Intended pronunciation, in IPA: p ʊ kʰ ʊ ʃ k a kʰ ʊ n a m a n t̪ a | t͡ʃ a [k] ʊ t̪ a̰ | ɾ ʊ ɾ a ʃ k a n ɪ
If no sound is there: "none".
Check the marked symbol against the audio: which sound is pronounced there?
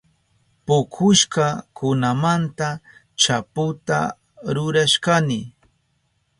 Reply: p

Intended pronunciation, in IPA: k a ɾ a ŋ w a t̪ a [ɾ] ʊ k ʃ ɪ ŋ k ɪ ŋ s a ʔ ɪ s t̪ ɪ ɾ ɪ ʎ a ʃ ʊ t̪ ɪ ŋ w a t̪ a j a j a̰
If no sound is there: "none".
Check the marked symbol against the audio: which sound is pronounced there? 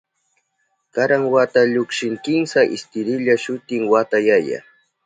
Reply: ʎ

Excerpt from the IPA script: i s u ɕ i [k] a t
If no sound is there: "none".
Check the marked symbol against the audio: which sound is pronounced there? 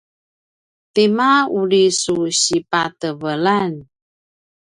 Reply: p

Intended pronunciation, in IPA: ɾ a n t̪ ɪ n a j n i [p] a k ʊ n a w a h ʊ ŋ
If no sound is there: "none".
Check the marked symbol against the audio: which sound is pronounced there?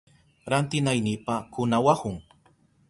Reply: p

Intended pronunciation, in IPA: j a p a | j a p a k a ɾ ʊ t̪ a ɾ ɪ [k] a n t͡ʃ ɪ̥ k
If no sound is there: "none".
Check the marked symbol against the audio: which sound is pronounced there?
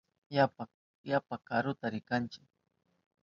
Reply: k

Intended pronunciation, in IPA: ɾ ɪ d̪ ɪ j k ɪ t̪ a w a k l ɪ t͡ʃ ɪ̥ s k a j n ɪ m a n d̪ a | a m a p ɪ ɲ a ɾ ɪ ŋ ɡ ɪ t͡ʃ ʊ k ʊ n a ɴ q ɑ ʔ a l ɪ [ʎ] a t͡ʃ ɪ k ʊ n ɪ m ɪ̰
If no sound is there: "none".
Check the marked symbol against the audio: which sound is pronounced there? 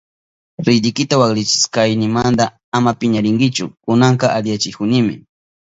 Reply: j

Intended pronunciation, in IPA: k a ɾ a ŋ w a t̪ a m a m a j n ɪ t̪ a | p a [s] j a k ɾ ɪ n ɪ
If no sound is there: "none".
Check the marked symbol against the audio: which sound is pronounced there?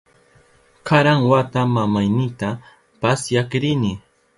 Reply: s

